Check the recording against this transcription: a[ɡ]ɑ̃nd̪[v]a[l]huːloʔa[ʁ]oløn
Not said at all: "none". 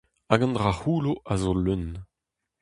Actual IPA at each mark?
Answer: ɡ, ʁ, none, z

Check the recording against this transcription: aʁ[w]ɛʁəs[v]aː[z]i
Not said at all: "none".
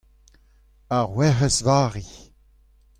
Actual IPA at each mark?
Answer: w, v, ʁ

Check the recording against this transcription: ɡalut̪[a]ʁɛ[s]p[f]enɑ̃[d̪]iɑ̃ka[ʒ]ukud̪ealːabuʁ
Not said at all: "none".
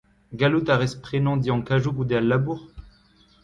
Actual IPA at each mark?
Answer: a, s, χ, d̪, ʒ

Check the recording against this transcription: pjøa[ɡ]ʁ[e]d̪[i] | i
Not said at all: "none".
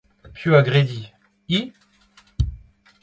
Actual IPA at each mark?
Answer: ɡ, e, i

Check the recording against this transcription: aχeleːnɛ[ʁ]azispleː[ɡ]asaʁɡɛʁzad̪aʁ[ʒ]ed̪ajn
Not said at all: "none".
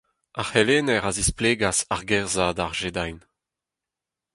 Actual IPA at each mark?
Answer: ʁ, ɡ, ʒ

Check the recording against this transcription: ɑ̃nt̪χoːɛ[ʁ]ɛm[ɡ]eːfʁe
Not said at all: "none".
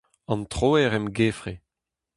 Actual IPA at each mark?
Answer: ʁ, ɡ

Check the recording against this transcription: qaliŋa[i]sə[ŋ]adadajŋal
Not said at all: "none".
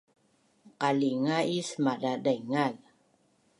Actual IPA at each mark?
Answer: i, m

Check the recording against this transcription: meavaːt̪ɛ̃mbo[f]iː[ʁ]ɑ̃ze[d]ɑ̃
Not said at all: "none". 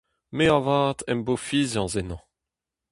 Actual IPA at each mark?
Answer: f, z, n

